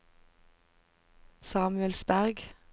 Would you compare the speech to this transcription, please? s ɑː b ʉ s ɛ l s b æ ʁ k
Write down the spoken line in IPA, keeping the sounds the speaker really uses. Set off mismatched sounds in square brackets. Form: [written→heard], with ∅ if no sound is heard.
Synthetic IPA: s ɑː [b→m] ʉ [s→∅] ɛ l s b æ ʁ [k→ɡ]